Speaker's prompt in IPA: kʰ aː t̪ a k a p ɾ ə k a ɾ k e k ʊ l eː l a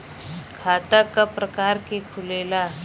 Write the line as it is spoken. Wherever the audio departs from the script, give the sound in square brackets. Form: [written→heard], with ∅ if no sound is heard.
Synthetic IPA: kʰ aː t̪ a k a p ɾ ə k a ɾ k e [k→kʰ] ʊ l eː l a